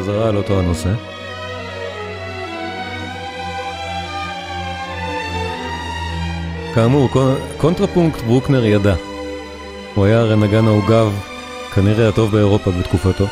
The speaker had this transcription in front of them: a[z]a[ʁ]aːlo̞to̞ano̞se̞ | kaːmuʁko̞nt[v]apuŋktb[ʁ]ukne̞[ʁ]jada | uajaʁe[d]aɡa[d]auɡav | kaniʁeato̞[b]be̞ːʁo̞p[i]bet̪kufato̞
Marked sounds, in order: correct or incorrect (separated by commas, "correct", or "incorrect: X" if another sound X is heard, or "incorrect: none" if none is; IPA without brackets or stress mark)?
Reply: correct, correct, incorrect: ʁ, correct, correct, incorrect: n, incorrect: n, incorrect: v, incorrect: a